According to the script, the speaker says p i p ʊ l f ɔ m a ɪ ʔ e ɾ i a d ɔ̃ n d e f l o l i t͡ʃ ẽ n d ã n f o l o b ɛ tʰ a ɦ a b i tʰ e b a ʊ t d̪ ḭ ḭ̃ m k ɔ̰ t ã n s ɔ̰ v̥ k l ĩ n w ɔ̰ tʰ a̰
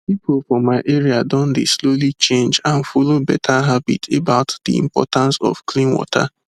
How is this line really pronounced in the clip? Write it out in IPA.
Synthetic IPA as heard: p i p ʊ l f ɔ m a ɪ ʔ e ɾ i a d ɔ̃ n d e s l o l i t͡ʃ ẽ n d͡ʒ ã n f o l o b ɛ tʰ a ɦ a b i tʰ e b a ʊ t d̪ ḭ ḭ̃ m p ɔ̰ t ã n s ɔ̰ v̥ k l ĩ n w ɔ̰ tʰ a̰